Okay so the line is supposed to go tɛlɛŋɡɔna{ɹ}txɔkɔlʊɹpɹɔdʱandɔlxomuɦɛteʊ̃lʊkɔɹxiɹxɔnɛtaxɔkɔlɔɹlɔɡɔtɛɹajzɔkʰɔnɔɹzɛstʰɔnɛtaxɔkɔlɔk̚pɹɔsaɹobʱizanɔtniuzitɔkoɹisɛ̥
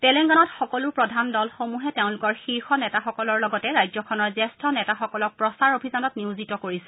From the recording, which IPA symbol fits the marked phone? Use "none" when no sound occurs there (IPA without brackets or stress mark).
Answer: none